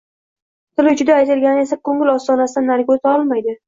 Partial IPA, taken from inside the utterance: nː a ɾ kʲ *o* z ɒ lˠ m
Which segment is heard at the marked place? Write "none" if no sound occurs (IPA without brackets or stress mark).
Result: o